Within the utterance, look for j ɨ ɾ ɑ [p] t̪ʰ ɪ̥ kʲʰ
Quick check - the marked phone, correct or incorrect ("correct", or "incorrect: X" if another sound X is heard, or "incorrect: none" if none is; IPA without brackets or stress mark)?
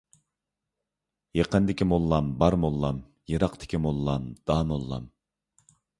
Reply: incorrect: q